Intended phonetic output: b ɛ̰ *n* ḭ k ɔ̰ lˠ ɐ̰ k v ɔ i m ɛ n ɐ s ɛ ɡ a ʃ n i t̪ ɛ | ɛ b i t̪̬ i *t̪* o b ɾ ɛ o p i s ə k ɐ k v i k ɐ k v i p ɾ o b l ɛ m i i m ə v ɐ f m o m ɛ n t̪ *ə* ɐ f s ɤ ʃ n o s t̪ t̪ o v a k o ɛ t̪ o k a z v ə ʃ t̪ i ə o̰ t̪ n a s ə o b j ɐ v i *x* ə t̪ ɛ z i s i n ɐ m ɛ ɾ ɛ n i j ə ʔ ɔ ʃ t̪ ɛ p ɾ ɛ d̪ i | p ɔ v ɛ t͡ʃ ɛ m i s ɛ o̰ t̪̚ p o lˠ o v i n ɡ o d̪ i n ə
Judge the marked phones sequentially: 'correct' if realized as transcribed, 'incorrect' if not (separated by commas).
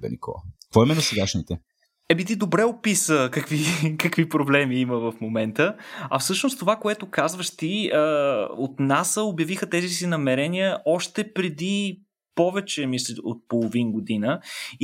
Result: correct, incorrect, correct, correct